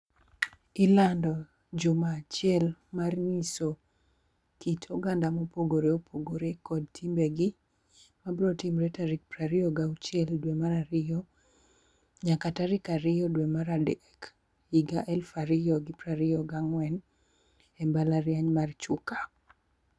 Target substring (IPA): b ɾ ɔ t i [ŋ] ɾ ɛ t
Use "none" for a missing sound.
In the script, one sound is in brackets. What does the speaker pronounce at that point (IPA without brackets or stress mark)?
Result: m